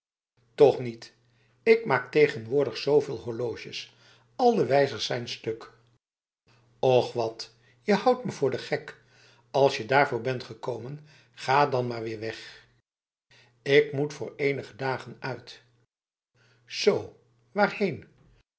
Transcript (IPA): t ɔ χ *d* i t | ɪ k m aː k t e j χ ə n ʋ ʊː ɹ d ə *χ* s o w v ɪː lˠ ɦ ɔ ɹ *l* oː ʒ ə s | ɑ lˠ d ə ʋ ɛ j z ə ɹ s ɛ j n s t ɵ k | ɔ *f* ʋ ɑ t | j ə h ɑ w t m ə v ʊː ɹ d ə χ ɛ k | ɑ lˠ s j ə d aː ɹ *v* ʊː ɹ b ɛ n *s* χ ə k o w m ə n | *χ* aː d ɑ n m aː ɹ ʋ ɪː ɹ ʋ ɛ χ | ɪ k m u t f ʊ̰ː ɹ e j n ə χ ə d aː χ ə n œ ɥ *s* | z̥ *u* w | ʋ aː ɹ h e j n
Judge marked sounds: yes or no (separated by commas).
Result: no, yes, yes, no, yes, no, yes, no, no